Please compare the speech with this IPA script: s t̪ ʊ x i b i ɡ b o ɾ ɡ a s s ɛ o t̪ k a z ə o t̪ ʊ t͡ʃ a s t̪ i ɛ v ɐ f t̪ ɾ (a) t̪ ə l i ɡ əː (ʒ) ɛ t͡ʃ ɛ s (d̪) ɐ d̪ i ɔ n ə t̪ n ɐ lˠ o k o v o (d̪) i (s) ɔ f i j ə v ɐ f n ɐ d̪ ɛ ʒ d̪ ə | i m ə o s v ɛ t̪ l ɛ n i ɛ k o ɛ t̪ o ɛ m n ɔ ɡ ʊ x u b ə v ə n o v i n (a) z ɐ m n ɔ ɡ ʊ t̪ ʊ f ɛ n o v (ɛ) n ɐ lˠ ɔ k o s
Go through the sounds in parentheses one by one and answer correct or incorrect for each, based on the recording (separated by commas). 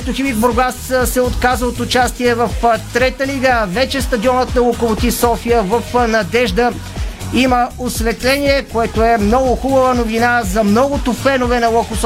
incorrect, incorrect, incorrect, incorrect, correct, correct, correct